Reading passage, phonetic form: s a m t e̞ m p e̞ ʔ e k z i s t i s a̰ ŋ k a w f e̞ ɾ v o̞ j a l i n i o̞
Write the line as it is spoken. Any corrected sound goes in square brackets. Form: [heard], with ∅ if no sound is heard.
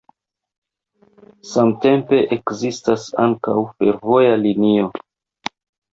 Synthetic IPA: s a m t e̞ m p e̞ ʔ e k z i s t [a] s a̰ ŋ k a w f e̞ ɾ v o̞ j a l i n i o̞

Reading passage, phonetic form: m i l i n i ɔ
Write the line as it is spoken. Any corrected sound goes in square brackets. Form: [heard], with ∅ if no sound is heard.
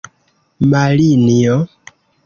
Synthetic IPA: m [a] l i n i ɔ

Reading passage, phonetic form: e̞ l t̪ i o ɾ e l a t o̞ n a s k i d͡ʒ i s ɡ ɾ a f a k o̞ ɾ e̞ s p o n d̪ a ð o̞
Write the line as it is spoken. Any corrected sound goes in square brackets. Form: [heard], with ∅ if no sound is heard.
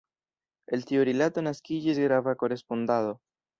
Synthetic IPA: e̞ l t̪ i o ɾ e l a t o̞ n a s k i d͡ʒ i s ɡ ɾ a [v] a k o̞ ɾ e̞ s p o n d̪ a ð o̞

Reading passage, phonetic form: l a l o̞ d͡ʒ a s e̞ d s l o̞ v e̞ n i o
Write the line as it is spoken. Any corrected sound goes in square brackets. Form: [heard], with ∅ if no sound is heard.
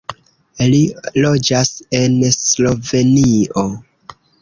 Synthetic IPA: l [i] l o̞ d͡ʒ a s e̞ [n] s l o̞ v e̞ n i o

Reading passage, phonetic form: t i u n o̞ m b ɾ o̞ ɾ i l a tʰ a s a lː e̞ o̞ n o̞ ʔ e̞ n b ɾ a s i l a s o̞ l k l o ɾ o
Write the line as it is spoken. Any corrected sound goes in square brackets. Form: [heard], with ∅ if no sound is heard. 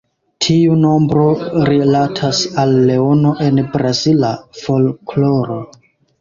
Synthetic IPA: [tʰ] i u n o̞ m b ɾ o̞ ɾ i l a tʰ a s a lː e̞ o̞ n o̞ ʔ e̞ n b ɾ a [z] i l a [f] o̞ l k l o ɾ o

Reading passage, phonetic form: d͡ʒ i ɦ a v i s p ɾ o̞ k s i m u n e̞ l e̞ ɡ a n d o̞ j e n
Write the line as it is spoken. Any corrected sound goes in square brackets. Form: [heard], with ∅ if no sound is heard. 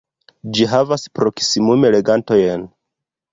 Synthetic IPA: d͡ʒ i ɦ a v [a] s p ɾ o̞ k s i m u [m] e̞ l e̞ ɡ a n [t] o̞ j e n

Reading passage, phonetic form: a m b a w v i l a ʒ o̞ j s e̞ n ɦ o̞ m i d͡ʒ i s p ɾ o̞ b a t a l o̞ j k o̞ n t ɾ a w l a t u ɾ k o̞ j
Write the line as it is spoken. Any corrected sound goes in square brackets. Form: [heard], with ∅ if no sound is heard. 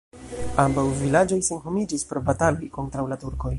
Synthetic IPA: a m b a w v i l a [d͡ʒ] o̞ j s e̞ n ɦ o̞ m i d͡ʒ i s p ɾ o̞ b a t a l o̞ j k o̞ n t ɾ a w l a t u ɾ k o̞ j

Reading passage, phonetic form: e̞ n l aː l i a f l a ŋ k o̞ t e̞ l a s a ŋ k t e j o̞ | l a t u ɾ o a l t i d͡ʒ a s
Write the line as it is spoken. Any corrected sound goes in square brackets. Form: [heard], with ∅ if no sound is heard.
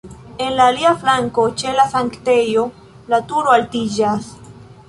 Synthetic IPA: e̞ n l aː l i a f l a ŋ k o̞ [t͡ʃ] e̞ l a s a ŋ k t e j o̞ | l a t u ɾ o a l t i d͡ʒ a s

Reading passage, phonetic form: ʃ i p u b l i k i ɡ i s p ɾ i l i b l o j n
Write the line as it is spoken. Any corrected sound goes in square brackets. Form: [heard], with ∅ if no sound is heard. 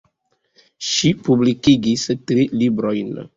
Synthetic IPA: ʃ i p u b l i k i ɡ i s [t] ɾ i l i b [ɾ] o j n

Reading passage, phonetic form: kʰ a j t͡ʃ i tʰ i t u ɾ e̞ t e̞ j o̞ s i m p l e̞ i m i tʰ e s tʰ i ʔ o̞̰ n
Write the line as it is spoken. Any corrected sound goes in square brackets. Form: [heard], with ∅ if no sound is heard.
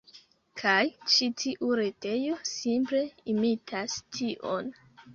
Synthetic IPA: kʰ a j t͡ʃ i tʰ i [ʔ] u ɾ e̞ t e̞ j o̞ s i m p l e̞ i m i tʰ [a] s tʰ i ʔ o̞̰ n

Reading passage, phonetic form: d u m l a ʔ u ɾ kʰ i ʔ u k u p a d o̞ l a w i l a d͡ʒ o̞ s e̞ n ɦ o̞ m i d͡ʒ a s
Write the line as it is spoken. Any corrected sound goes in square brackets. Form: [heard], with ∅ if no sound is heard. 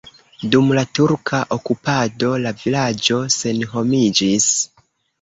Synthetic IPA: d u m l a [t] u ɾ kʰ [a] ʔ [o] k u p a d o̞ l a [v] i l a d͡ʒ o̞ s e̞ n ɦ o̞ m i d͡ʒ [i] s

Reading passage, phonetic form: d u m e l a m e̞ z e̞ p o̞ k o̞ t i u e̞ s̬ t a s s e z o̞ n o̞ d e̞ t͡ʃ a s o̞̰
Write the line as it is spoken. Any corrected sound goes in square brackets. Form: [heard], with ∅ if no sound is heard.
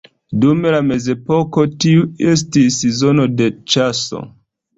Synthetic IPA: d u m e l a m e̞ z e̞ p o̞ k o̞ t i u e̞ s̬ t [i] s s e z o̞ n o̞ d e̞ t͡ʃ a s o̞̰

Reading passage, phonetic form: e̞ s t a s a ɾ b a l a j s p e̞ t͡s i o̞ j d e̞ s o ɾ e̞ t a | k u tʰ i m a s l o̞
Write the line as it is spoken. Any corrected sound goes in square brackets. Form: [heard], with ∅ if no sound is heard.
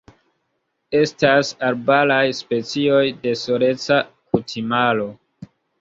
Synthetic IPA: e̞ s t a s a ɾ b a l a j s p e̞ t͡s i o̞ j d e̞ s o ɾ e̞ [t͡s] a | k u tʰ i m a [∅] l o̞

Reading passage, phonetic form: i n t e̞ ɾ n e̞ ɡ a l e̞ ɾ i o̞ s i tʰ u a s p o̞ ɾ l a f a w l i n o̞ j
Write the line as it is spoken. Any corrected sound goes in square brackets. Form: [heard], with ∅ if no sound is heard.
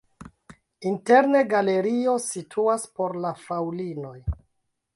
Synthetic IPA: i n t e̞ ɾ n e̞ ɡ a l e̞ ɾ i o̞ s i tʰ u a s p o̞ ɾ l a f a w l i n o̞ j

